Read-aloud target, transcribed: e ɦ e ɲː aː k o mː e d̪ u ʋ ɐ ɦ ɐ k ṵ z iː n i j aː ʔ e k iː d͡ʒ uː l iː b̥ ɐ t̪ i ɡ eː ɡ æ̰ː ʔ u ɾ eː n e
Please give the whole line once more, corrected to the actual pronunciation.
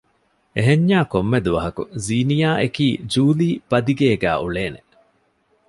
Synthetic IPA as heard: e ɦ e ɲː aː k o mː e d̪ u ʋ ɐ ɦ ɐ k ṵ z iː n i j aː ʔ e k iː d͡ʒ uː l iː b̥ ɐ d̪ i ɡ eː ɡ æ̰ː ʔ u ɭ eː n e